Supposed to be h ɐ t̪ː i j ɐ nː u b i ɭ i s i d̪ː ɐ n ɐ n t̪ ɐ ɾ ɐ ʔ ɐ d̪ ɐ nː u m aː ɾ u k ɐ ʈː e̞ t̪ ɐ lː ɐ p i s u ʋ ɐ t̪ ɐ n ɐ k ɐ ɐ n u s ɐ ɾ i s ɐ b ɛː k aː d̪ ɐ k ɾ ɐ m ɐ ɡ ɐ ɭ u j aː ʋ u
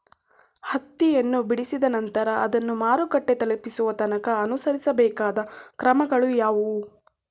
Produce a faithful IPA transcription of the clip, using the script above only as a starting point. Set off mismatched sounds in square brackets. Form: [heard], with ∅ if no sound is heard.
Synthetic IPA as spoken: h ɐ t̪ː i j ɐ nː u b i [ɽ] i s i [d̪] ɐ n ɐ n t̪ ɐ ɾ ɐ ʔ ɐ d̪ ɐ nː u m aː ɾ u k ɐ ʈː e̞ t̪ ɐ [l] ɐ p i s u ʋ ɐ t̪ ɐ n ɐ k ɐ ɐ n u s ɐ ɾ i s ɐ b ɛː k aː d̪ ɐ k ɾ ɐ m ɐ ɡ ɐ ɭ u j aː ʋ u